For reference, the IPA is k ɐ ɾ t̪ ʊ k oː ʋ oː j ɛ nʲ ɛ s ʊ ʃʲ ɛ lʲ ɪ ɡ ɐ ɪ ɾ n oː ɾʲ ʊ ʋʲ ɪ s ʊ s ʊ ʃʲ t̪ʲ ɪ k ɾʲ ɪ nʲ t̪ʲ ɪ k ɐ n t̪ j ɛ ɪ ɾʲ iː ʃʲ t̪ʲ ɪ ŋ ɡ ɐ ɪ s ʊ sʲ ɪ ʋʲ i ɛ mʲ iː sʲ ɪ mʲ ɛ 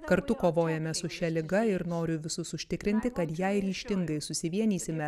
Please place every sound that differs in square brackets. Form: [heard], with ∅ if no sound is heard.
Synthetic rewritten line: k ɐ ɾ t̪ ʊ k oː ʋ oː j ɛ [mʲ] ɛ s ʊ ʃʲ ɛ lʲ ɪ ɡ ɐ ɪ ɾ n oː ɾʲ ʊ ʋʲ ɪ s ʊ s ʊ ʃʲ t̪ʲ ɪ k ɾʲ ɪ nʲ t̪ʲ ɪ k ɐ [∅] t̪ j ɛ ɪ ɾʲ iː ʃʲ t̪ʲ ɪ ŋ ɡ ɐ ɪ s ʊ sʲ ɪ ʋʲ i ɛ [nʲ] iː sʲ ɪ mʲ ɛ